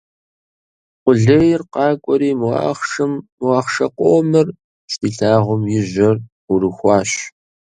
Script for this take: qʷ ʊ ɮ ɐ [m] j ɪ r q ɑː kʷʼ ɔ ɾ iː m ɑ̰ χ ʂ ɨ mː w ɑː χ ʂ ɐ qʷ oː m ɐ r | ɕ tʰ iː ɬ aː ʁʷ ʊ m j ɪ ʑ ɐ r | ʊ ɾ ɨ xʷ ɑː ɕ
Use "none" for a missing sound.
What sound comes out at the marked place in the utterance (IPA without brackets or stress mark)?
none